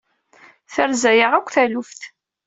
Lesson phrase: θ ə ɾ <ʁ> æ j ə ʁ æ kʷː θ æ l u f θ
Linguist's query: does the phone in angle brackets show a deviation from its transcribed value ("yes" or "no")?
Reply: yes